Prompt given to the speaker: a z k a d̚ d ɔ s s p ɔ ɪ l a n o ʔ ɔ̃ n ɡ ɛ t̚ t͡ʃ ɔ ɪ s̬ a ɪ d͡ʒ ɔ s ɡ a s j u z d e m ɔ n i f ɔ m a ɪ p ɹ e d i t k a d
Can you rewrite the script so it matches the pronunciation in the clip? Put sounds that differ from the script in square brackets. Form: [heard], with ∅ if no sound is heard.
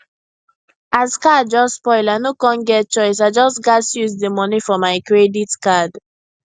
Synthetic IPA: a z k a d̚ [d͡ʒ] ɔ s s p ɔ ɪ l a n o [k] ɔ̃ n ɡ ɛ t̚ t͡ʃ ɔ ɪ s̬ a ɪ d͡ʒ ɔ s ɡ a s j u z d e m ɔ n i f ɔ m a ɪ [k] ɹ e d i t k a d